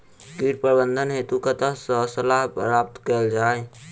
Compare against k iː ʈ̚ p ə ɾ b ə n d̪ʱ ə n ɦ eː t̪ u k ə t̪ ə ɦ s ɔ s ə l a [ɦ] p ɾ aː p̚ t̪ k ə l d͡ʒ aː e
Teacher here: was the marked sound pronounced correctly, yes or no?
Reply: yes